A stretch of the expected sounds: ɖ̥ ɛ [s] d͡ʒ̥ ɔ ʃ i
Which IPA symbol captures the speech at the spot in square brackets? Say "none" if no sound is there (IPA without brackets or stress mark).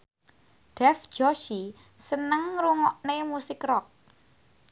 f